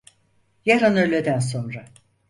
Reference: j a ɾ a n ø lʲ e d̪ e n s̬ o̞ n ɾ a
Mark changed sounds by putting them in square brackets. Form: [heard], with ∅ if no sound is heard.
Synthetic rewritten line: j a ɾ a n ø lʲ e d̪ [æ] n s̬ o̞ n ɾ a